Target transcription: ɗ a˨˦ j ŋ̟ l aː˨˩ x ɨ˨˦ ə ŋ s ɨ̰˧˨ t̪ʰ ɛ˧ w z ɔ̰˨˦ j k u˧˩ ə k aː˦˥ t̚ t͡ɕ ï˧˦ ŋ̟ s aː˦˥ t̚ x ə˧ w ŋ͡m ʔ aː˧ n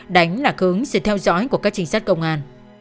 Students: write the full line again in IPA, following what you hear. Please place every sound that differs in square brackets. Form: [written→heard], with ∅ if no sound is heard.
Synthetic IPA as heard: ɗ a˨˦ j ŋ̟ l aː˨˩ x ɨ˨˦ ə ŋ s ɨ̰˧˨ t̪ʰ ɛ˧ w z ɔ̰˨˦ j k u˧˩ ə k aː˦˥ [t̚→k̚] t͡ɕ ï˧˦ ŋ̟ s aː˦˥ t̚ [x→k] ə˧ w ŋ͡m ʔ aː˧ n